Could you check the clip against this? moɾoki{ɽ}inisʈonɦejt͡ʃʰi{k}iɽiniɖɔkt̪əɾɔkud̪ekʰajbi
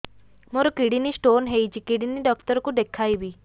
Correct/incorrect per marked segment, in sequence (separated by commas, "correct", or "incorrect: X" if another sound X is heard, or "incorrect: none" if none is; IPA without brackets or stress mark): correct, correct